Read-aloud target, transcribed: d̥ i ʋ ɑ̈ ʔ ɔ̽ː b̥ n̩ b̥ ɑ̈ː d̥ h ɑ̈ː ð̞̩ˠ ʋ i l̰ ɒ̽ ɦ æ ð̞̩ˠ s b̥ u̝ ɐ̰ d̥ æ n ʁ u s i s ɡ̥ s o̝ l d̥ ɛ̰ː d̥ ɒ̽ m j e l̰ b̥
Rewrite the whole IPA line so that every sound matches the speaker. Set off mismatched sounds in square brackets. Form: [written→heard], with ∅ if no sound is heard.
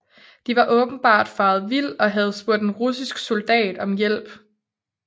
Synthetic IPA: d̥ i ʋ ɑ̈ ʔ ɔ̽ː b̥ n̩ b̥ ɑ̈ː d̥ [h→f] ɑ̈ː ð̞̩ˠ ʋ i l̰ ɒ̽ ɦ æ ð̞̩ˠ s b̥ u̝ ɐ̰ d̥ [æ→e] n ʁ u s i s ɡ̥ s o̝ l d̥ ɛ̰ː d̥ ɒ̽ m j e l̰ b̥